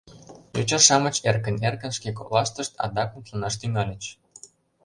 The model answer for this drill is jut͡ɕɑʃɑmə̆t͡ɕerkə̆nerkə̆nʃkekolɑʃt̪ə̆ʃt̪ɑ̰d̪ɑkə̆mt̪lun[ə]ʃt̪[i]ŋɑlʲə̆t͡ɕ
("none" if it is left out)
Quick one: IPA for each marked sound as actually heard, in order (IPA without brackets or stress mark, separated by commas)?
ɑ, y